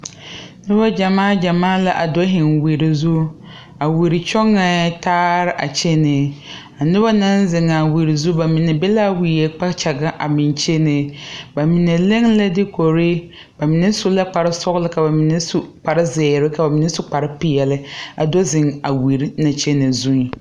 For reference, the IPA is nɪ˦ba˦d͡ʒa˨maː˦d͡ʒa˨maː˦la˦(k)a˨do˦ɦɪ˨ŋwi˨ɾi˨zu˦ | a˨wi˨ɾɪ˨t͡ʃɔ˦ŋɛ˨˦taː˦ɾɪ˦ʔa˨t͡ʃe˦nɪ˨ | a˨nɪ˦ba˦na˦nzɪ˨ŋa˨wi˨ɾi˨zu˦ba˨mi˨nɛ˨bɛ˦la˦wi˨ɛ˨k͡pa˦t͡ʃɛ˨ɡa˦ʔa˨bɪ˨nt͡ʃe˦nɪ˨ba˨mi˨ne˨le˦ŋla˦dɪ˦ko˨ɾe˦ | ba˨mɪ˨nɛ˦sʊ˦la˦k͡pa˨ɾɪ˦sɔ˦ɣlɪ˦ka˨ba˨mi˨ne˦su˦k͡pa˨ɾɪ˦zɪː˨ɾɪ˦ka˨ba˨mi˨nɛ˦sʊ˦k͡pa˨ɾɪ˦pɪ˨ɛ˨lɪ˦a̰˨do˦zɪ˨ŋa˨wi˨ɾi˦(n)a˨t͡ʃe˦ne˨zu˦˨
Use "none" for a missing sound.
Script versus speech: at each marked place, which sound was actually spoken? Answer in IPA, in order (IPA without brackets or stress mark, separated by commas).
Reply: ʔ, n